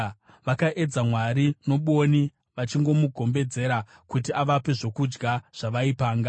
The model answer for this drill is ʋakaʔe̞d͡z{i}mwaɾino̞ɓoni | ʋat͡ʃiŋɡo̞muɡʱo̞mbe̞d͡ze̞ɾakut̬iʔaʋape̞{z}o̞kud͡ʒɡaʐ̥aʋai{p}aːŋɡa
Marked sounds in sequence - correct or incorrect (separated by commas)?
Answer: incorrect, incorrect, correct